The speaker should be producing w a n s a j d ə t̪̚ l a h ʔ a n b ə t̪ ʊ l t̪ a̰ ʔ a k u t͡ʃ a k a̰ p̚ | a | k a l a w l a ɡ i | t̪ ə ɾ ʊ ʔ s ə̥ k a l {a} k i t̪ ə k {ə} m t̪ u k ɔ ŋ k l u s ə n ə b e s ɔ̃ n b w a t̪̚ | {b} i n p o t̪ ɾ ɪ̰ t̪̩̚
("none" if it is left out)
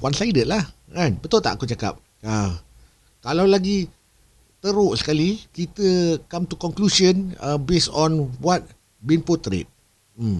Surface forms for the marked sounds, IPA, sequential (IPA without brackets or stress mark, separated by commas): i, a, b